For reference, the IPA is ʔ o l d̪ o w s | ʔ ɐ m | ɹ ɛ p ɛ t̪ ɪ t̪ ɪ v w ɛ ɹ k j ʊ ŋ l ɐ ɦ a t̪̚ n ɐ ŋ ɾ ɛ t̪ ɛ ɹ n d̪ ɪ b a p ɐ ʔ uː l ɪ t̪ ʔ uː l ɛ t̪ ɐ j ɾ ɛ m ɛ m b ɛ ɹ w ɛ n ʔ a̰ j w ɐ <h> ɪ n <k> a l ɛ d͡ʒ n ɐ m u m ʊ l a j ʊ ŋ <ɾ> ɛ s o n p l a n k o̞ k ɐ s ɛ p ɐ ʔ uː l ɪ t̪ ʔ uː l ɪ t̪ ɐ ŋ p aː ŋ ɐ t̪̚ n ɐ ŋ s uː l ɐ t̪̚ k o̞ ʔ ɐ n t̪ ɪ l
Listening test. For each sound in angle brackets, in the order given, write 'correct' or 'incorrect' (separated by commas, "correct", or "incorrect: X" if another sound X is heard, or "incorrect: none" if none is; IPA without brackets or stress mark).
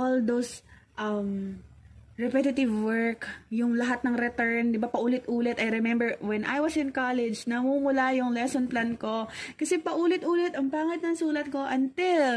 incorrect: s, correct, incorrect: l